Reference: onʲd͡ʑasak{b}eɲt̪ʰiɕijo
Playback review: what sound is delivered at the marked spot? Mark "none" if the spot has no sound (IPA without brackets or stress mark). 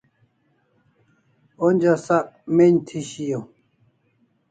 m